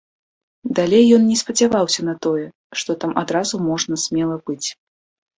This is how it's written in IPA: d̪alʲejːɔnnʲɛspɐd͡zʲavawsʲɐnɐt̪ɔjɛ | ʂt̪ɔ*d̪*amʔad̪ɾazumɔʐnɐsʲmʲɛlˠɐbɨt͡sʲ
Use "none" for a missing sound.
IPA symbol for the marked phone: t̪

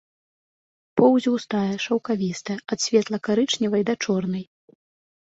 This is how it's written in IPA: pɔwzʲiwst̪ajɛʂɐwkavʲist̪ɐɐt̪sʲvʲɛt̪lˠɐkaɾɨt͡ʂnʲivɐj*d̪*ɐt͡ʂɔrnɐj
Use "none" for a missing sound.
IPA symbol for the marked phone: d̪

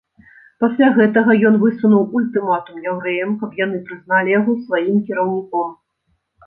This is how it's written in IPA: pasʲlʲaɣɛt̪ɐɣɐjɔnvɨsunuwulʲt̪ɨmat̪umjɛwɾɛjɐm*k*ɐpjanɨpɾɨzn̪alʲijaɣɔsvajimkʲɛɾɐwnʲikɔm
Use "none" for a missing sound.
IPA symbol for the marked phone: k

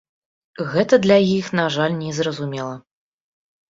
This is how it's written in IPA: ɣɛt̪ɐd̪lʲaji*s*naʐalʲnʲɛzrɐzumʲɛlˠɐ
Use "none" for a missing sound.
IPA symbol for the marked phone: x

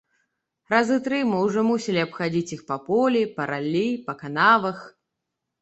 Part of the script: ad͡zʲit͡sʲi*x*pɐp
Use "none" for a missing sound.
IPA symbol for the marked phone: x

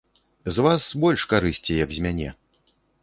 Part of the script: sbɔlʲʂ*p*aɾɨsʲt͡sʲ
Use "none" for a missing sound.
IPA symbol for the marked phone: k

